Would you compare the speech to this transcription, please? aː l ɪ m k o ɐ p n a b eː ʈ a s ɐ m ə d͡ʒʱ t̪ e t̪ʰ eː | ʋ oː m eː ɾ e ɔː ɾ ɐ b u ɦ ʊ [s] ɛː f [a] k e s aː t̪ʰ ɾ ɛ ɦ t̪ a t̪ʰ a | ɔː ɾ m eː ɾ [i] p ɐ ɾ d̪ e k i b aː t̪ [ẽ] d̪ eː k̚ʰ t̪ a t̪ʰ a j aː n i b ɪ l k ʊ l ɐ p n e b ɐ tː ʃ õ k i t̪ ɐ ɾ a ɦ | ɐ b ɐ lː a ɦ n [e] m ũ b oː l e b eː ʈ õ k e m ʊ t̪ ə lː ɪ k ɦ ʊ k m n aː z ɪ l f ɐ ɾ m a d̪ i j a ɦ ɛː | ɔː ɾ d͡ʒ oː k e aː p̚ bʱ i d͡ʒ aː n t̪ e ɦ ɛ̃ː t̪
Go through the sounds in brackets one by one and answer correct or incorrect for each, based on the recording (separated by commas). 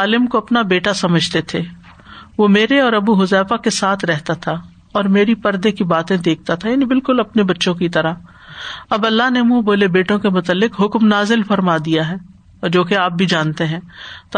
incorrect, correct, correct, correct, correct